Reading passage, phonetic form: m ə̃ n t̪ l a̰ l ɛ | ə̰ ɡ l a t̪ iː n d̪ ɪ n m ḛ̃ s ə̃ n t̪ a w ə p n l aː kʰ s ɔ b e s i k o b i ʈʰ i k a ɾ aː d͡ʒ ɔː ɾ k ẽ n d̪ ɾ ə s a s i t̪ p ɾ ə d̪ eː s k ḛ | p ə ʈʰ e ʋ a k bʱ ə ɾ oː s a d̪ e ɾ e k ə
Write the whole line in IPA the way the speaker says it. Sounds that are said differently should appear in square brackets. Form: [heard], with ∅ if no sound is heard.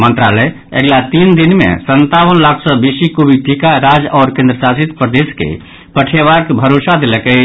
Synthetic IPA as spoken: m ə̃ n t̪ [ɾ] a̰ l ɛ | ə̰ ɡ l a t̪ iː n d̪ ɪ n m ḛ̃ s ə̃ n t̪ a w ə [∅] n l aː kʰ s ɔ b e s i k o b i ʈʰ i k a ɾ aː d͡ʒ ɔː ɾ k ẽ n d̪ ɾ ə s a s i t̪ p ɾ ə d̪ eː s k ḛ | p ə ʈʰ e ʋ a k bʱ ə ɾ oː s a d̪ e [l] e k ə

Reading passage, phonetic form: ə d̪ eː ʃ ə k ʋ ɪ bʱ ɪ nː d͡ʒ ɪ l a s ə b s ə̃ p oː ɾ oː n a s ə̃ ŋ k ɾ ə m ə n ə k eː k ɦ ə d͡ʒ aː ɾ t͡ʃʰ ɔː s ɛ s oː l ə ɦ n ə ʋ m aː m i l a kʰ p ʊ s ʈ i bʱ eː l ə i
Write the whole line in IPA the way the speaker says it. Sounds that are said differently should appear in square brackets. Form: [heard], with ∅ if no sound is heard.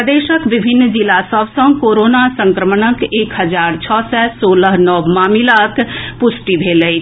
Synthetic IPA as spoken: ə d̪ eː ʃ ə k ʋ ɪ bʱ ɪ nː d͡ʒ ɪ l a s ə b s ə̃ [k] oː ɾ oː n a s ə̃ ŋ k ɾ ə m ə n ə k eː k ɦ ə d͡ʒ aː ɾ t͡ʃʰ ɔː s ɛ s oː l ə ɦ n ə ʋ m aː m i l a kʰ p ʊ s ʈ i bʱ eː l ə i

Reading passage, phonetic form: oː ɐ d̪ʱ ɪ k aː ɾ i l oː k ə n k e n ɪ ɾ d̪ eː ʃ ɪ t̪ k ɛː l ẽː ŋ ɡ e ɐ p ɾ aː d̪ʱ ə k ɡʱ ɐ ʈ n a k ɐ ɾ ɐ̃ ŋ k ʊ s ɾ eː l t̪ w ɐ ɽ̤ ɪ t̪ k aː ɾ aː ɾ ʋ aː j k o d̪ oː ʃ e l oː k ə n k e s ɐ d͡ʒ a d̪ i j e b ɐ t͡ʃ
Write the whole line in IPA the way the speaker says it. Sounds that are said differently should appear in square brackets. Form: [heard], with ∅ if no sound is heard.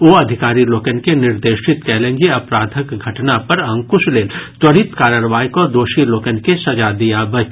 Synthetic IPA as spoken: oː ɐ d̪ʱ ɪ k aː ɾ i l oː k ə n k e n ɪ ɾ d̪ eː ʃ ɪ t̪ k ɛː l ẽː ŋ ɡ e ɐ p ɾ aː d̪ʱ ə k ɡʱ ɐ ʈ n a [p] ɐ ɾ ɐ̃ ŋ k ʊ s [l] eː l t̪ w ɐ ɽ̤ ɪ t̪ k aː ɾ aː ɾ ʋ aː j k o d̪ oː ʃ [i] l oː k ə n k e s ɐ d͡ʒ a d̪ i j [a] b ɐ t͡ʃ

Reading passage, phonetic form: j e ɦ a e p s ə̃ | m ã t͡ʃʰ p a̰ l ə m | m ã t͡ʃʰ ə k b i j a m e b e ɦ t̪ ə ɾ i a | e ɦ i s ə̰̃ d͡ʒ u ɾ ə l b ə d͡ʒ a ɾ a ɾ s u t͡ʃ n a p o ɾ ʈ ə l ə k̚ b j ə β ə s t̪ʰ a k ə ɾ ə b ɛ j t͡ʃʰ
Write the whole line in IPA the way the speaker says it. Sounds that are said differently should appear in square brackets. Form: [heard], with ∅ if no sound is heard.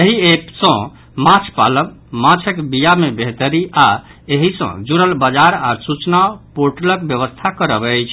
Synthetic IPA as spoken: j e ɦ [i] e p s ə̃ | m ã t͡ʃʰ p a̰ l ə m | m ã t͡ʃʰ ə k b i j a m e b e ɦ t̪ ə ɾ i a | e ɦ i s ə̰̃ d͡ʒ u ɾ ə l b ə d͡ʒ a ɾ a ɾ s u t͡ʃ n a p o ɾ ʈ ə l ə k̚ b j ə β ə s t̪ʰ a k ə ɾ ə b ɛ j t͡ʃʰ

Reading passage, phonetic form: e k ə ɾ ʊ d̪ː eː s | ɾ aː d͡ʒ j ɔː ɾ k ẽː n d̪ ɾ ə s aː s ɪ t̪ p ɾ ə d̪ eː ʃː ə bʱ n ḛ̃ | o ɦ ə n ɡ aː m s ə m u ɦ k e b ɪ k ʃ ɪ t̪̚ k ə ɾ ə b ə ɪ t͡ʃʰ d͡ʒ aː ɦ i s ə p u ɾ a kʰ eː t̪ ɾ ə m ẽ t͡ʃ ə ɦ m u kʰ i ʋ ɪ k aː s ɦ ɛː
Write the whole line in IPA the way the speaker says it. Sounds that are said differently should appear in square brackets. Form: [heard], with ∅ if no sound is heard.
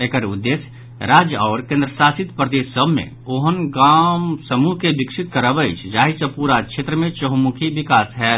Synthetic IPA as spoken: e k ə ɾ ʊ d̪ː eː s | ɾ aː d͡ʒ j ɔː ɾ k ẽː n d̪ ɾ ə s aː s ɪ t̪ p ɾ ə d̪ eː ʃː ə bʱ [m] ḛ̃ | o ɦ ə n ɡ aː m s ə m u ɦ k e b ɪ k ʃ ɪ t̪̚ k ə ɾ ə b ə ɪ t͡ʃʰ d͡ʒ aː ɦ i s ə p u ɾ a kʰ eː t̪ ɾ ə m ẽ t͡ʃ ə ɦ m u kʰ i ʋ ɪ k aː s ɦ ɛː

